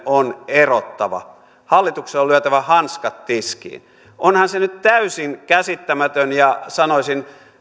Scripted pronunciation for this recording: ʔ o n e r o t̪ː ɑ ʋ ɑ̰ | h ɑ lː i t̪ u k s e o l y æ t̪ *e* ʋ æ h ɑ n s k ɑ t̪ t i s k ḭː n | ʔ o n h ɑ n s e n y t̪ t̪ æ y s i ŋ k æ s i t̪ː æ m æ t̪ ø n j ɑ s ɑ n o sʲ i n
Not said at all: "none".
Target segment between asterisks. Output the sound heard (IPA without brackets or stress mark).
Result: æ